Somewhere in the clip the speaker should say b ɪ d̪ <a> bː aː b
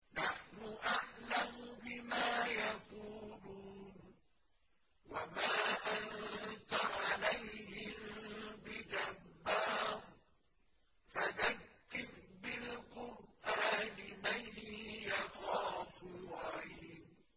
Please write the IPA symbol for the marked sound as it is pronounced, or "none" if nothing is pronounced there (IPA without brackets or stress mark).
a